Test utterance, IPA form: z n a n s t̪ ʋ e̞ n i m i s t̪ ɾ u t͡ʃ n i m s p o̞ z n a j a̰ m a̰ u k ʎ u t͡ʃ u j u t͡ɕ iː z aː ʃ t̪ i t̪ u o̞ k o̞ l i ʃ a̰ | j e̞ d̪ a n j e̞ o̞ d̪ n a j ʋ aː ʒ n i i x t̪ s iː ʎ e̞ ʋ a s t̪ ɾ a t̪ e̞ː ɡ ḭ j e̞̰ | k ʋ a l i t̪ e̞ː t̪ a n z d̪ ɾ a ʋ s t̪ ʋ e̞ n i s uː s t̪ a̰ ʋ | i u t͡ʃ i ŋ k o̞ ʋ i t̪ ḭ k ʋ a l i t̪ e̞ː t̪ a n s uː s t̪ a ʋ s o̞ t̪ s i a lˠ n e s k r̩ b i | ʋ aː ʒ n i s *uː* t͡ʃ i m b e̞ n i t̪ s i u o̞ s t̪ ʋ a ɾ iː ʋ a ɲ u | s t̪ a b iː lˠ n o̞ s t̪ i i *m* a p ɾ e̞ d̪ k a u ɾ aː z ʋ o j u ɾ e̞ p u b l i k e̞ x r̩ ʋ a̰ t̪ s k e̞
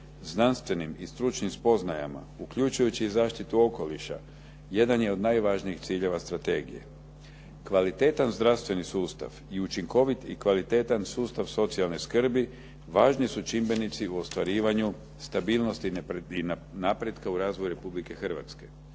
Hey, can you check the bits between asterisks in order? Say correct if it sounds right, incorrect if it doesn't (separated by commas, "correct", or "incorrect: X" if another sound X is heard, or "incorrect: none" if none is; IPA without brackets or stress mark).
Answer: incorrect: u, incorrect: n